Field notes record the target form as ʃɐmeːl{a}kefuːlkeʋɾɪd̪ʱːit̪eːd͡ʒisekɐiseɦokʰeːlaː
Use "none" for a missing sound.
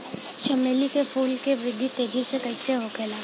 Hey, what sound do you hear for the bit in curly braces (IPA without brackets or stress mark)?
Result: i